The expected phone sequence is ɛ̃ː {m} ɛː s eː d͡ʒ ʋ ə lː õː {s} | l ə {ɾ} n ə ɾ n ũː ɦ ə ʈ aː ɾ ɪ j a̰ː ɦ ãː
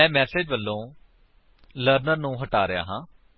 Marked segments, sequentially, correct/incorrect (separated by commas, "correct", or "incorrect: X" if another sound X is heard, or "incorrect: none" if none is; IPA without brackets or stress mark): correct, incorrect: none, correct